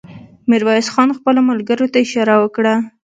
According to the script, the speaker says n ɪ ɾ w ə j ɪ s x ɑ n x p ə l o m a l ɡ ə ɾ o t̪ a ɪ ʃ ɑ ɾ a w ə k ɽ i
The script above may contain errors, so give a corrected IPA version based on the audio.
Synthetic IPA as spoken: m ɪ ɾ w ɑ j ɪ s x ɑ n x p ə l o m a l ɡ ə ɾ o t̪ a ɪ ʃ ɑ ɾ a w ə k ɽ a